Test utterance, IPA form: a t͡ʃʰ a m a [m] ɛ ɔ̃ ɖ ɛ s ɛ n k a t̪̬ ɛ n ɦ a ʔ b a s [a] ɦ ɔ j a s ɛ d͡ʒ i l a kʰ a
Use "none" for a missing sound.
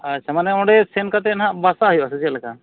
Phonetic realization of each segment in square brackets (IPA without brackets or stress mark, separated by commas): n, a